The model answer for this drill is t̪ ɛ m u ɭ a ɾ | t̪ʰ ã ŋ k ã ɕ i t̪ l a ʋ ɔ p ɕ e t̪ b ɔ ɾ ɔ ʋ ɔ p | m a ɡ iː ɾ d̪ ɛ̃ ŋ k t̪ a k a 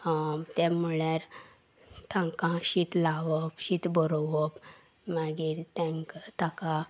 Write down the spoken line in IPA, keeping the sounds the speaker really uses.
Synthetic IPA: t̪ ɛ m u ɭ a ɾ | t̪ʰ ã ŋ k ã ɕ i t̪ l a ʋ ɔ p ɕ i t̪ b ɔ ɾ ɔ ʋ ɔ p | m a ɡ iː ɾ t̪ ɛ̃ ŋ k t̪ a k a